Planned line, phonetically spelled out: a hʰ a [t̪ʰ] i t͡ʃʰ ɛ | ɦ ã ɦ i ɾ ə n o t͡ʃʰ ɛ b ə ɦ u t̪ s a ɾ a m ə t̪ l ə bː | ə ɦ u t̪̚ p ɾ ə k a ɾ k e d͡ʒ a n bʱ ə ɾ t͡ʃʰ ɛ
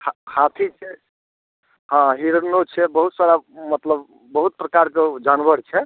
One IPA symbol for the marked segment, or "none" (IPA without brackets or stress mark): t̪ʰ